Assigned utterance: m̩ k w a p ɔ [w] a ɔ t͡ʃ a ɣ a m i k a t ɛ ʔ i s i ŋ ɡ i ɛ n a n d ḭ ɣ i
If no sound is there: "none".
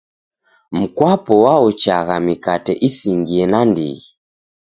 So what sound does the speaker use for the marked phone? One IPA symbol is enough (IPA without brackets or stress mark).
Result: w